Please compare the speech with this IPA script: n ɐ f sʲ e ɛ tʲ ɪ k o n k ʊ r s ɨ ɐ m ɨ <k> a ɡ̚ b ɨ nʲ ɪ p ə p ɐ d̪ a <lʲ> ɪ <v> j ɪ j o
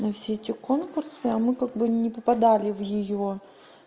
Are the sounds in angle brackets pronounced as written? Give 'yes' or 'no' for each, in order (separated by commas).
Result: yes, yes, yes